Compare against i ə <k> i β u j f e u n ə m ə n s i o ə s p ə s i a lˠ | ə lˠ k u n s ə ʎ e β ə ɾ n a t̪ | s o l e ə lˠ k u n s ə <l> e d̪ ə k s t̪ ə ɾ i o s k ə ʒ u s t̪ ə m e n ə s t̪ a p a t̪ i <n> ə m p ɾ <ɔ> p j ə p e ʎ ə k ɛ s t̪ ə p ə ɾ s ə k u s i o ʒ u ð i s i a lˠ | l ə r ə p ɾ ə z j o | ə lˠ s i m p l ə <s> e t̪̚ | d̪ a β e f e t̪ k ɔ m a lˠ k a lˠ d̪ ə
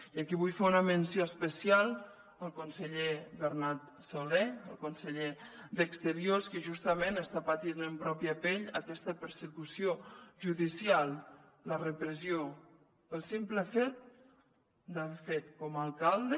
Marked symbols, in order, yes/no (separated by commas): yes, no, yes, yes, no